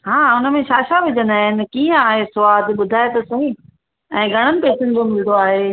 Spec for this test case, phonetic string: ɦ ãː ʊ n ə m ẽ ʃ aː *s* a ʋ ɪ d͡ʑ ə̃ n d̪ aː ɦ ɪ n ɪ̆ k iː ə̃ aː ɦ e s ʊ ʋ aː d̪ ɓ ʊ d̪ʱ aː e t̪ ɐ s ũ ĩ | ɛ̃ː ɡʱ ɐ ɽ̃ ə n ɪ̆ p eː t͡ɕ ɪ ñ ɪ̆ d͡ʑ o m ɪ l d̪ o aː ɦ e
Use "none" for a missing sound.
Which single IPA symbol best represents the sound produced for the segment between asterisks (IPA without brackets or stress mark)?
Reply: ʃ